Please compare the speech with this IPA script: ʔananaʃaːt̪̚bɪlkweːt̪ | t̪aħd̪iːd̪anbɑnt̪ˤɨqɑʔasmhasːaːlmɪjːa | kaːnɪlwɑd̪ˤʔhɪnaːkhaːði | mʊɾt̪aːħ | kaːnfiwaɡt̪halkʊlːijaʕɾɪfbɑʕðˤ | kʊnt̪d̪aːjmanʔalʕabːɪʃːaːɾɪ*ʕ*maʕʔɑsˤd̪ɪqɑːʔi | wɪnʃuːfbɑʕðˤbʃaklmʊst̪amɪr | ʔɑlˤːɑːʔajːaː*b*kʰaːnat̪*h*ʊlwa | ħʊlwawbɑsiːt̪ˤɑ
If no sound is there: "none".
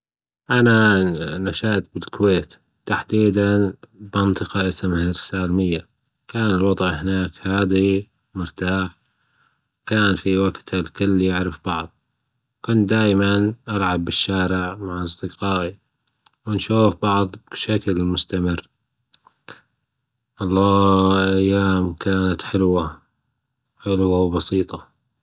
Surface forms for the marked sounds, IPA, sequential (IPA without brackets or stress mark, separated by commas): ʕ, m, ħ